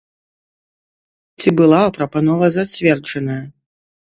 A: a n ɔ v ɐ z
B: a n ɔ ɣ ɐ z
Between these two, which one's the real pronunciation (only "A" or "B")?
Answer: A